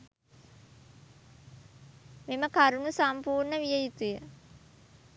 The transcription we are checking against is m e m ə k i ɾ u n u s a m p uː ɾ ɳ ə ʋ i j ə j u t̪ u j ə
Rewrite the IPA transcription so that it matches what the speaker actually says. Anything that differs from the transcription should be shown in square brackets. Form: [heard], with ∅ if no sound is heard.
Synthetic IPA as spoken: m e m ə k [a] ɾ u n u s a m p uː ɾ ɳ ə ʋ i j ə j u t̪ u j ə